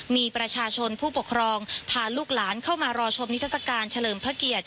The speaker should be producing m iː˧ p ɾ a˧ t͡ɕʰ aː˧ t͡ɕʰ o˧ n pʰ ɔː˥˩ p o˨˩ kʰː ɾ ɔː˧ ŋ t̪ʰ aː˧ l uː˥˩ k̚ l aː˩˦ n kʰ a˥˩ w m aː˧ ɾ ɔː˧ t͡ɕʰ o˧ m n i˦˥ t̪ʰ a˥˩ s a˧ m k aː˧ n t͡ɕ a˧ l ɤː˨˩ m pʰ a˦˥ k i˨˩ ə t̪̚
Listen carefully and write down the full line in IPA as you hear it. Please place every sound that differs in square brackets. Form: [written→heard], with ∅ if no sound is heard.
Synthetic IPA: m iː˧ p ɾ a˧ t͡ɕʰ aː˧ t͡ɕʰ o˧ n pʰ [ɔː˥˩→uː˥˩] p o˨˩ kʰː ɾ ɔː˧ ŋ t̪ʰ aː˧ l uː˥˩ k̚ l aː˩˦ n kʰ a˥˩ w m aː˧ ɾ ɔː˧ t͡ɕʰ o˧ m n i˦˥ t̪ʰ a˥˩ s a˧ [m→∅] k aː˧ n [t͡ɕ→t͡ɕʰ] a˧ l ɤː˨˩ m pʰ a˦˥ k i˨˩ ə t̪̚

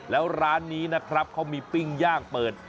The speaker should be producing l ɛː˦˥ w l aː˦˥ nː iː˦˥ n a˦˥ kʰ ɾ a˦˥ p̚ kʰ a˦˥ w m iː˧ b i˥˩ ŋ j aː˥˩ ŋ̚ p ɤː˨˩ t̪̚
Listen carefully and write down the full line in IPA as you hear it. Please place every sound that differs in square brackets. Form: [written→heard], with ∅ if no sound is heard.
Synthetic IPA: l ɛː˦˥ w [l→ɾ] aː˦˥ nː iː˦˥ n a˦˥ kʰ ɾ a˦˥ p̚ kʰ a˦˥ w m iː˧ [b→p] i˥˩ ŋ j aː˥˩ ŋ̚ p ɤː˨˩ t̪̚

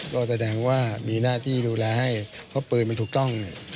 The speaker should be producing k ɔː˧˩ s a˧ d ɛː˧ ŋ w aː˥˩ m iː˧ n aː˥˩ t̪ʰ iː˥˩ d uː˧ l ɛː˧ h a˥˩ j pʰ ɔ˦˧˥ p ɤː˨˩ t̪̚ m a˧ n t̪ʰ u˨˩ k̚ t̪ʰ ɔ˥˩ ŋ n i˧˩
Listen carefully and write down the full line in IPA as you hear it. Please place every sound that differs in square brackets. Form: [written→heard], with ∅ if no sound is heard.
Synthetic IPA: k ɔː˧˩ s a˧ d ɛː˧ ŋ w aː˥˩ m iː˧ n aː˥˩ t̪ʰ iː˥˩ d uː˧ l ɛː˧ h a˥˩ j pʰ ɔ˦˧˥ p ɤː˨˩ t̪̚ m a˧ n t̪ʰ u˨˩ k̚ [t̪ʰ→t̪] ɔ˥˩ ŋ n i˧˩

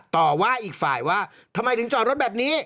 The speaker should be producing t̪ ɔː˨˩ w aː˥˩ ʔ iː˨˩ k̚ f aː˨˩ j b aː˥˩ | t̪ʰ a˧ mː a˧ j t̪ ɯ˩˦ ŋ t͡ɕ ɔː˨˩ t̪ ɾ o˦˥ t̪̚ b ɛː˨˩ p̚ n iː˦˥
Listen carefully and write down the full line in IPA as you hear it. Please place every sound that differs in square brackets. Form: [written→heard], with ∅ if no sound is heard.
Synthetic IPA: t̪ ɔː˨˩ w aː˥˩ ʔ iː˨˩ k̚ f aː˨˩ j [b→w] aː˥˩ | t̪ʰ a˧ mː a˧ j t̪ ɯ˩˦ ŋ t͡ɕ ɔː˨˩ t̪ ɾ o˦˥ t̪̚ b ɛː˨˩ p̚ n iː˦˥

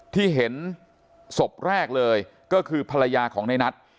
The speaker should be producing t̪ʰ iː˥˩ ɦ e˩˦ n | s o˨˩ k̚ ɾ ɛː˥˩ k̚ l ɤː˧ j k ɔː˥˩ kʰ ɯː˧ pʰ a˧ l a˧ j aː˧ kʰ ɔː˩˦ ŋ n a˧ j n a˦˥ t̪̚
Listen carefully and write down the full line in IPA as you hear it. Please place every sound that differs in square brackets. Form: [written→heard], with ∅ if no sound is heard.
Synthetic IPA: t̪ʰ iː˥˩ ɦ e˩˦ n | s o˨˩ [k̚→p̚] ɾ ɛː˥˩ k̚ l ɤː˧ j k ɔː˥˩ kʰ ɯː˧ pʰ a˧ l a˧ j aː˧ kʰ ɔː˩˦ ŋ n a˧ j n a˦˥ t̪̚

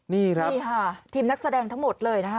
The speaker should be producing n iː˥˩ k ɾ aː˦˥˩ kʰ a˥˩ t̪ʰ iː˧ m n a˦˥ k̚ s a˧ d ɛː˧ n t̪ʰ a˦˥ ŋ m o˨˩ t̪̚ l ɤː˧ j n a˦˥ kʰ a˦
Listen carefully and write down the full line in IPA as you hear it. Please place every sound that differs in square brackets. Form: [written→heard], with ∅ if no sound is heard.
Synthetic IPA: n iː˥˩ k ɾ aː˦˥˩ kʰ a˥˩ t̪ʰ iː˧ m n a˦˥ k̚ s a˧ d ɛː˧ [n→ŋ] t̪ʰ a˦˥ ŋ m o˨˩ t̪̚ l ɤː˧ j n a˦˥ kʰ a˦

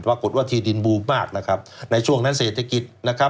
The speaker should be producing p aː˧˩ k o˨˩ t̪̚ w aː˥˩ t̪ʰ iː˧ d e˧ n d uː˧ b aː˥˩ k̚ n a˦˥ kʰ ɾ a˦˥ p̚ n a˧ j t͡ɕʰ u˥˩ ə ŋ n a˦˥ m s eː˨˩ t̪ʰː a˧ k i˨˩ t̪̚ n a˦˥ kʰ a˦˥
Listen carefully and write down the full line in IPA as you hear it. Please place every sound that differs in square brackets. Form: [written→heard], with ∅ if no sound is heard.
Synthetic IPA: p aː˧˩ k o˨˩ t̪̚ w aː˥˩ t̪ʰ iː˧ d [e˧→i˧] n [d→b] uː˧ [b→m] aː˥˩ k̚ n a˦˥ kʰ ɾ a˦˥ p̚ n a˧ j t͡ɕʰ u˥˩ ə ŋ n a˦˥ [m→n] s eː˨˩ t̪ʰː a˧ k i˨˩ t̪̚ n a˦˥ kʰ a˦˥

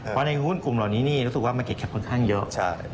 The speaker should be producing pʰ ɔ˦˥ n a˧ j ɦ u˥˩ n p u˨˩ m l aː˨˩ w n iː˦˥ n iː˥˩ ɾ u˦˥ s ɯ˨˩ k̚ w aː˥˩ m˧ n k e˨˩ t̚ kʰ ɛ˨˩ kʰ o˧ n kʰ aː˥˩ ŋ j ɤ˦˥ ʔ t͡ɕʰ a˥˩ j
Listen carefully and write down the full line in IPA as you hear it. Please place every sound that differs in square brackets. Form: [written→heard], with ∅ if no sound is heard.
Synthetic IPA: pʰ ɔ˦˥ n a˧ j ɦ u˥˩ n [p→k] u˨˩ m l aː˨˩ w n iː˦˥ n iː˥˩ ɾ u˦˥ s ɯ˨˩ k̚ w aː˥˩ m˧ n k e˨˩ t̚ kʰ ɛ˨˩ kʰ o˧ n kʰ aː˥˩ ŋ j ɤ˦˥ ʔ t͡ɕʰ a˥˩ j

